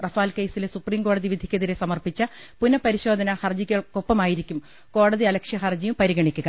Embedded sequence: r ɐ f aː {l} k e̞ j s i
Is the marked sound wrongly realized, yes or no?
no